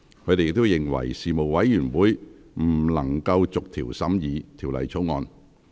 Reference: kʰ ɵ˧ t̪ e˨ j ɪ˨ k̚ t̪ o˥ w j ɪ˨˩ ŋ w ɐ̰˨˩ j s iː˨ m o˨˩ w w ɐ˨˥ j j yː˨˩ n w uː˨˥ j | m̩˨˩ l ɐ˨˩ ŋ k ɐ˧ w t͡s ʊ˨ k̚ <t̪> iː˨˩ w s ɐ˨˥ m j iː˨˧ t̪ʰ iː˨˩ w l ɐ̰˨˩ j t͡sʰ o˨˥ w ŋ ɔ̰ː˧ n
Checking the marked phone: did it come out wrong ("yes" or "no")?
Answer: yes